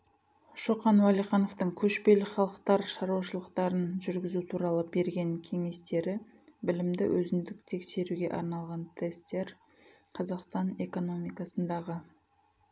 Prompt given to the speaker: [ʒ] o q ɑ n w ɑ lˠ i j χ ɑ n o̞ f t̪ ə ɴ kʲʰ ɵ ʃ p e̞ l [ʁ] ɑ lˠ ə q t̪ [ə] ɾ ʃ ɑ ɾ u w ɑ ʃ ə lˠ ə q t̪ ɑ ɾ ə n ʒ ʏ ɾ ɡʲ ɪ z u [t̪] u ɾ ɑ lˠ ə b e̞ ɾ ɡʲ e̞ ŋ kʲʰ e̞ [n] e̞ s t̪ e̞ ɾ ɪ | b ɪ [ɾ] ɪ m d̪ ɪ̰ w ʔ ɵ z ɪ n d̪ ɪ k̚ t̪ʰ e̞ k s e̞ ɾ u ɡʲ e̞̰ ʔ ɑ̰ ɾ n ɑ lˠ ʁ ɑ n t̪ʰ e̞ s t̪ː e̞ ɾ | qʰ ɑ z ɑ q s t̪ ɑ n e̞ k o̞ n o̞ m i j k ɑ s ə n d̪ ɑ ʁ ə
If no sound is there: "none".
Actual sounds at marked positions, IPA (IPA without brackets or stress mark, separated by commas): ʃ, χ, ɑ, t̪ʰ, ŋ, l